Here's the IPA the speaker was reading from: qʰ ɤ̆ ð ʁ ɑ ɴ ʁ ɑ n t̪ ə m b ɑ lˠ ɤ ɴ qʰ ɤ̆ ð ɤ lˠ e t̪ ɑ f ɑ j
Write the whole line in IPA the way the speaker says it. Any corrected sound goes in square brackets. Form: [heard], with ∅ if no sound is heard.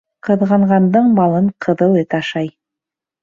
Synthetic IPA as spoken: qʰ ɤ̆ ð ʁ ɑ ɴ ʁ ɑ n [d̪] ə [ɴ] b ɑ lˠ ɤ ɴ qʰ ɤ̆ ð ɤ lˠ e t̪ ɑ [ʃ] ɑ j